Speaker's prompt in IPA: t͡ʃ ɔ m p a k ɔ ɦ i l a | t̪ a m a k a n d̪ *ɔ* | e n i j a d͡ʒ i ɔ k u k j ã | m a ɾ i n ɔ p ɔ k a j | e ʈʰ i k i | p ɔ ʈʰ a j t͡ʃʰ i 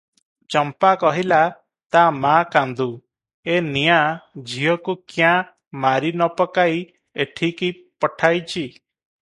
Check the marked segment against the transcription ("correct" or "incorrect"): incorrect